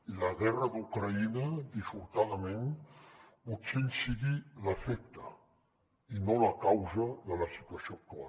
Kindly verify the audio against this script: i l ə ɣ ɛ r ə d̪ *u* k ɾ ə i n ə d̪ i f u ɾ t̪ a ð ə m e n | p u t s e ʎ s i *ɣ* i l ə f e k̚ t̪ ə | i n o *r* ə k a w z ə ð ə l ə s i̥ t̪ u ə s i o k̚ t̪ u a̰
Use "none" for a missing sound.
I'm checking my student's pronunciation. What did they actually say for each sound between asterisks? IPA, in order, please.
u, ɣ, l

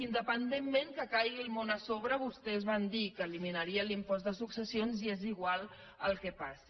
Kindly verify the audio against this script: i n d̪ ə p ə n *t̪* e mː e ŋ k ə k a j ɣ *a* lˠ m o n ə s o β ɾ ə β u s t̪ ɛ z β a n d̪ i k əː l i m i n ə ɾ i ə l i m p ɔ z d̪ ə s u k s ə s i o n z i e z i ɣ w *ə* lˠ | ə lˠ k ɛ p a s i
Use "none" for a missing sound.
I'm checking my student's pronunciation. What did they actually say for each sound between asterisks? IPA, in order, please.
d̪, i, a

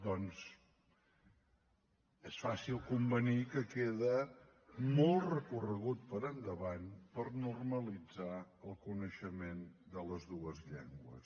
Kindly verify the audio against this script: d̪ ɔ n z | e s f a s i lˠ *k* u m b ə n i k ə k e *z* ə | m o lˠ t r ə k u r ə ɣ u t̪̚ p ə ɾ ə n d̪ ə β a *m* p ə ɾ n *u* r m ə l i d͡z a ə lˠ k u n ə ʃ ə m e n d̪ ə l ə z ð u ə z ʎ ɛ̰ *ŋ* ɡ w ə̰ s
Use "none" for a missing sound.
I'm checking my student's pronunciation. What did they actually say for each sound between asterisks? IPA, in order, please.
k, ð, n, u, ŋ

